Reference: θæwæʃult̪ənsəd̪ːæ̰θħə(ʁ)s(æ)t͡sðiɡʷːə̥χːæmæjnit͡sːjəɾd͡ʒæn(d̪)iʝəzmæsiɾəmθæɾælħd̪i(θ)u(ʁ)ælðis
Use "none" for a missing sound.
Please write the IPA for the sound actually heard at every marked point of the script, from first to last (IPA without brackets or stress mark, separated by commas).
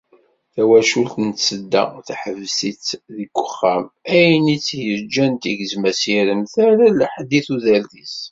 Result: v, i, t̪, θ, ð